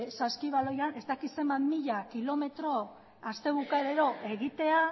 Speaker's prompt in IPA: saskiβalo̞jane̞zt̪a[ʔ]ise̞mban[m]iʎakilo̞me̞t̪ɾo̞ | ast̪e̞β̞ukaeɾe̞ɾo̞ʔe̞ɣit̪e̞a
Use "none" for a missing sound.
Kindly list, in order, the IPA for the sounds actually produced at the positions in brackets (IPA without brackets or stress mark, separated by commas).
k, m